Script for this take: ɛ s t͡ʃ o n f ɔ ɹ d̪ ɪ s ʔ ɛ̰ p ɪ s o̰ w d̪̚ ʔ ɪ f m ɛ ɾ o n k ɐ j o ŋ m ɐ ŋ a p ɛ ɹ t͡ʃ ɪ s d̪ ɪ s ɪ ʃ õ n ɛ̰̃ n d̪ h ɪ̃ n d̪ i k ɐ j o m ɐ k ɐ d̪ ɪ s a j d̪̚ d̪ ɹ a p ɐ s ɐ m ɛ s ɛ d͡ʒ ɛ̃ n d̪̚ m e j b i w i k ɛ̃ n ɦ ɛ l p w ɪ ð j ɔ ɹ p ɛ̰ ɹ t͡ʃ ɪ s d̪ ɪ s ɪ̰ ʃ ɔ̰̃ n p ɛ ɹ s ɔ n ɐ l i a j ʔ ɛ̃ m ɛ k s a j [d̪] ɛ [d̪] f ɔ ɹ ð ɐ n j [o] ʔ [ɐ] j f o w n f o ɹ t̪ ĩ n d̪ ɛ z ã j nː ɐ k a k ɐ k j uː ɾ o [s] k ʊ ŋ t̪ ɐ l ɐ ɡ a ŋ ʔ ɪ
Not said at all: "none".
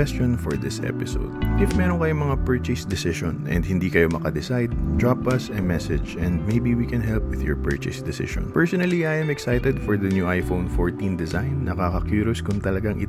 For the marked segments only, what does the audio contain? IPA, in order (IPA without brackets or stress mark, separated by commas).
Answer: t̪, d̪, u, a, s